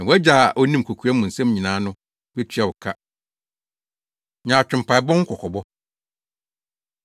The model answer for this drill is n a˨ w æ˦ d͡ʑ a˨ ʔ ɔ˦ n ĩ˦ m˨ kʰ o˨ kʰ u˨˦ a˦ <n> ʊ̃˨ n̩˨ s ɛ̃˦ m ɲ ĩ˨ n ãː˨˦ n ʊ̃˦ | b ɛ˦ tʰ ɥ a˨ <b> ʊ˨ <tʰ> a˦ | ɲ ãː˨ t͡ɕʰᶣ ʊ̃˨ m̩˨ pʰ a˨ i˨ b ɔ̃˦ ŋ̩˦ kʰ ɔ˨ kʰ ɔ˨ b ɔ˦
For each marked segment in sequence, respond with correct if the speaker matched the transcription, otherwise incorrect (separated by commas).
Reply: incorrect, incorrect, incorrect